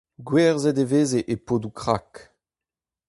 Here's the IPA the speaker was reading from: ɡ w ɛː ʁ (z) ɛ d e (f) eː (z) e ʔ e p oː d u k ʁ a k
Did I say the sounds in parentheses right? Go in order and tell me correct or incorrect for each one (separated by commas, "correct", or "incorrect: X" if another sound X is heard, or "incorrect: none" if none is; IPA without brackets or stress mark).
correct, incorrect: v, correct